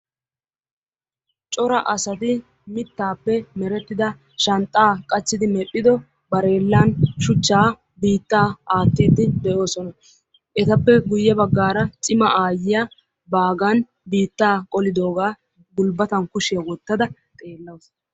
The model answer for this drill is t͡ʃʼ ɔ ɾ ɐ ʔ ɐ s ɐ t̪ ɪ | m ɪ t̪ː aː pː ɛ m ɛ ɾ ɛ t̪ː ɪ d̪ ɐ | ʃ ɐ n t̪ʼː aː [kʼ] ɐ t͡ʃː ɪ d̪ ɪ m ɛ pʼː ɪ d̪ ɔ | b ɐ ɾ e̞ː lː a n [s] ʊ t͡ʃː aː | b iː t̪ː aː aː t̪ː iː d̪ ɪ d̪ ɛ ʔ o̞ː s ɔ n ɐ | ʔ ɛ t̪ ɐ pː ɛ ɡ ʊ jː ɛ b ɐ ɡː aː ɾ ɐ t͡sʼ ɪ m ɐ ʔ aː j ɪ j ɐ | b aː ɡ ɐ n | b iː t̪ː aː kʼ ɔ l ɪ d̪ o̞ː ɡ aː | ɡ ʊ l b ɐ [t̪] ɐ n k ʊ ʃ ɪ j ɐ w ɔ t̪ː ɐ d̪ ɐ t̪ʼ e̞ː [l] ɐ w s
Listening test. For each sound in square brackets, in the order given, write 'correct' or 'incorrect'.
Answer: correct, incorrect: ʃ, correct, incorrect: lː

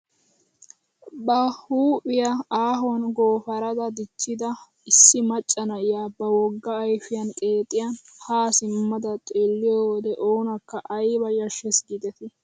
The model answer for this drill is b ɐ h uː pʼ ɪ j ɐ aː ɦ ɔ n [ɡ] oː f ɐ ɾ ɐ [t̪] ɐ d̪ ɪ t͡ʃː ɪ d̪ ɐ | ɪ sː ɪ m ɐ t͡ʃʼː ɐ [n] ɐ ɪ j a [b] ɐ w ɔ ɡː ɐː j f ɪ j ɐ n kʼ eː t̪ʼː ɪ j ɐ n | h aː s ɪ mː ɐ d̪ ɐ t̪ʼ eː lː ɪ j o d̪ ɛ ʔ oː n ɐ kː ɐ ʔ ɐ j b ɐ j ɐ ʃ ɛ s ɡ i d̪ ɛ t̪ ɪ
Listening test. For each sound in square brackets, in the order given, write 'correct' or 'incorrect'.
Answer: correct, incorrect: d̪, correct, correct

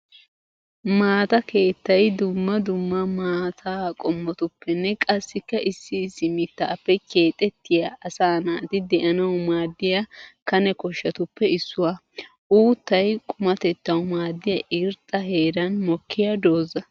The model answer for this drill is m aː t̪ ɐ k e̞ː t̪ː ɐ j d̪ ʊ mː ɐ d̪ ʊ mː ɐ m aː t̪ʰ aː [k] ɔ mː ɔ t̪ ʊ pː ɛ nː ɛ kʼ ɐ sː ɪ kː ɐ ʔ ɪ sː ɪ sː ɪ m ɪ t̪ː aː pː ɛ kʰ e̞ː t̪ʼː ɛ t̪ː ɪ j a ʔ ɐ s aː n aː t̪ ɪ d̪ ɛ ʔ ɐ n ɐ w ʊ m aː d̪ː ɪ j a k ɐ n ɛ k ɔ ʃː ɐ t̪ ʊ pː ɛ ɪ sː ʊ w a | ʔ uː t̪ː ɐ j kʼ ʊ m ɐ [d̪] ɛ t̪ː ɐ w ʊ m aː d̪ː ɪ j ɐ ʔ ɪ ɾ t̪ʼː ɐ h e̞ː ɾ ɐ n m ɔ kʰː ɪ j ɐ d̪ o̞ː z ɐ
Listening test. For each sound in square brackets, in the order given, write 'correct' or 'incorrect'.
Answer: incorrect: kʼ, incorrect: t̪

